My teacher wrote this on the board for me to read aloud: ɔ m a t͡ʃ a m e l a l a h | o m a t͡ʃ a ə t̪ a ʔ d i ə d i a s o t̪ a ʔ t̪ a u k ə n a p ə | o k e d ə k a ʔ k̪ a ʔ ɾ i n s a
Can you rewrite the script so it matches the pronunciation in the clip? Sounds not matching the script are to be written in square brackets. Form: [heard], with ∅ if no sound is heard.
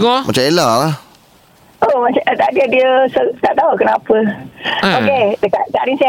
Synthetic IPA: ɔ m a t͡ʃ a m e l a l a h | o m a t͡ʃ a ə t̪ a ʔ d i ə d i [ə] s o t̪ a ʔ t̪ a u k ə n a p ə | o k e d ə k a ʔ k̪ a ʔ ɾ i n s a